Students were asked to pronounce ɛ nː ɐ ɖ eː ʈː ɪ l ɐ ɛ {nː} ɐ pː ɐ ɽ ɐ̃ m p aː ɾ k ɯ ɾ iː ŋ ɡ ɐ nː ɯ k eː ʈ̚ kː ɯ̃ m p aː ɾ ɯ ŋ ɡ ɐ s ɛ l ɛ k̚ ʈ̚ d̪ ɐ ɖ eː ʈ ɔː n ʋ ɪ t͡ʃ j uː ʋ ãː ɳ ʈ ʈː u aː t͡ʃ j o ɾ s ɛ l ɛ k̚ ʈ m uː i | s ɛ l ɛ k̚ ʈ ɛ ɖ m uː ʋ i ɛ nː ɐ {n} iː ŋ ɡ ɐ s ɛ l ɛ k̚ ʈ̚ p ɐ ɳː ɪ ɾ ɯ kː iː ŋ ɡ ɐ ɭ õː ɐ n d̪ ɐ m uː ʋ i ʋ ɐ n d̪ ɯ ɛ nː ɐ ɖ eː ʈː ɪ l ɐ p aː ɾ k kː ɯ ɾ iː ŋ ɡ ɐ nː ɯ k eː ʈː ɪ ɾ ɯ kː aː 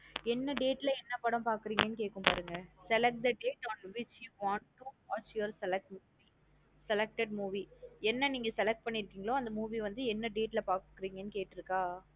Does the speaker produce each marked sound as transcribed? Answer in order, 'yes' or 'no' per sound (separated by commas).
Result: yes, yes